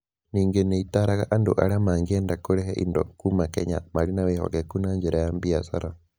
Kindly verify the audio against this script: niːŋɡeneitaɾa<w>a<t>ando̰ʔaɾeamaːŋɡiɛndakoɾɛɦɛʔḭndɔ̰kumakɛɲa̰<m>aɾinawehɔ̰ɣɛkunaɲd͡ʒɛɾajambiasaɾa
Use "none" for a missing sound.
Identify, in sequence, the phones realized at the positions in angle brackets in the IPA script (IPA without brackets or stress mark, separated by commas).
ɣ, ʔ, m